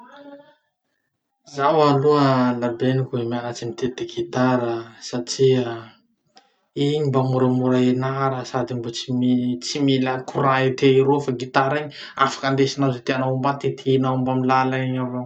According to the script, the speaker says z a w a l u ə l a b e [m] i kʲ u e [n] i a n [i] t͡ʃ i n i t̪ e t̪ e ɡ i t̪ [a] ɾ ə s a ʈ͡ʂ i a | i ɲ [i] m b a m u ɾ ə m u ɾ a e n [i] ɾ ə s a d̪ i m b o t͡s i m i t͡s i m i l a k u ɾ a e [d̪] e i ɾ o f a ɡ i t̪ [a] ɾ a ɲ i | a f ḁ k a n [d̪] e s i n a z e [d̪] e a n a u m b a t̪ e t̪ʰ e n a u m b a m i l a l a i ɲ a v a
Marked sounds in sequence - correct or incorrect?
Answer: incorrect: n, incorrect: m, incorrect: a, correct, correct, incorrect: a, incorrect: t̪, correct, correct, incorrect: t̪

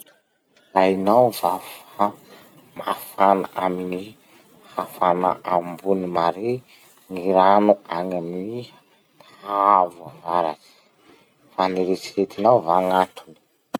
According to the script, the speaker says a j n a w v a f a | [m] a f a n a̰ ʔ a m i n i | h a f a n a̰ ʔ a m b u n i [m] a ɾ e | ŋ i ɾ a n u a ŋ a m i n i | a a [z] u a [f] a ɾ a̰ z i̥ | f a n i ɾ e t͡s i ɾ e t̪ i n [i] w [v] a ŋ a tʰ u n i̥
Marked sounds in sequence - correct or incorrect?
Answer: correct, correct, incorrect: v, incorrect: v, incorrect: a, correct

